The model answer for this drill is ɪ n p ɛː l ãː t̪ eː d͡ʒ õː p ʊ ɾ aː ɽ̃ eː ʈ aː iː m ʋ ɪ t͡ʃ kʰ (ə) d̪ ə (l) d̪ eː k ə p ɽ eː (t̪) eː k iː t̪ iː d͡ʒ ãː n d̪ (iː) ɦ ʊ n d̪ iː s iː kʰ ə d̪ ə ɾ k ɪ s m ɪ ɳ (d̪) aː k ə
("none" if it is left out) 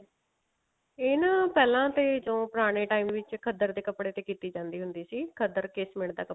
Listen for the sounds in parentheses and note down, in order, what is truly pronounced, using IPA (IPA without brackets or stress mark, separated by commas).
ə, ɾ, t̪, iː, d̪